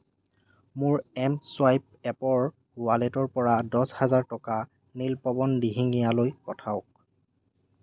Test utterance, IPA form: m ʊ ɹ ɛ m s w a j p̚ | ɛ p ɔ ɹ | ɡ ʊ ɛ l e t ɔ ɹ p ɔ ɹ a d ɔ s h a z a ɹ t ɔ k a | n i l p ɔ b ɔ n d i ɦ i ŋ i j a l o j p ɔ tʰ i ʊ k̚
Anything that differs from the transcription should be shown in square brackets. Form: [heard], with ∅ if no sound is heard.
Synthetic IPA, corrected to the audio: m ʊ ɹ ɛ m s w a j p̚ | ɛ p ɔ ɹ | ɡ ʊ [a] l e t ɔ ɹ p ɔ ɹ a d ɔ s h a z a ɹ t ɔ k a | n i l p ɔ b ɔ n d i ɦ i ŋ i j a l o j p ɔ tʰ [a] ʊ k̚